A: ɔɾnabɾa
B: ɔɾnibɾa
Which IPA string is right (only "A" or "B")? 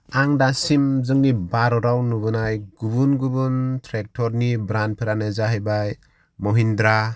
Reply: B